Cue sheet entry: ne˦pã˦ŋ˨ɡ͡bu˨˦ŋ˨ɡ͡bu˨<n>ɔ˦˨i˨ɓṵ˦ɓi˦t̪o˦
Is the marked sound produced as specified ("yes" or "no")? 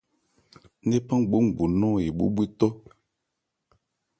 yes